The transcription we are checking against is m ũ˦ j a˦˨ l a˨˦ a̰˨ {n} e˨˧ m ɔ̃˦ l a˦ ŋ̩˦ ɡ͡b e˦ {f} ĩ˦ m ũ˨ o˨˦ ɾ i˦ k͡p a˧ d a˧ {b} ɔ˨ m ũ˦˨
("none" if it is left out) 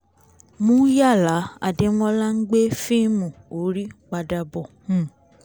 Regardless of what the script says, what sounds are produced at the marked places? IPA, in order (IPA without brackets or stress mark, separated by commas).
d, f, b